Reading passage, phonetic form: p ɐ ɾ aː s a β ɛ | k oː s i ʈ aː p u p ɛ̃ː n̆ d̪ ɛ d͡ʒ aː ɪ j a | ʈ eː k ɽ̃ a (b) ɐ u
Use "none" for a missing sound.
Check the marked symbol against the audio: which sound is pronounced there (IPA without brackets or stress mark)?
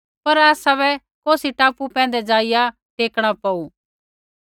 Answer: p